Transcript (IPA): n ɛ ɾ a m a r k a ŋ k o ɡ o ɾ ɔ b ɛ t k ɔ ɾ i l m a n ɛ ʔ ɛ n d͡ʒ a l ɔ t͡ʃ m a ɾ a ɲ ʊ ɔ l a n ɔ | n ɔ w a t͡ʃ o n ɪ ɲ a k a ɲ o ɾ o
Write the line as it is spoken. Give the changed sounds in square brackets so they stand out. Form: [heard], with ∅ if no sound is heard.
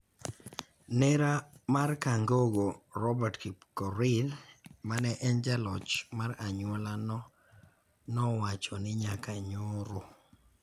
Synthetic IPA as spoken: n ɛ ɾ a m a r k a ŋ [ɡ] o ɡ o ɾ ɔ b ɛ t k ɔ ɾ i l m a n ɛ ʔ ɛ n d͡ʒ a l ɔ t͡ʃ m a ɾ a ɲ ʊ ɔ l a n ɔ | n ɔ w a t͡ʃ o n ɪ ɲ a k a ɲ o ɾ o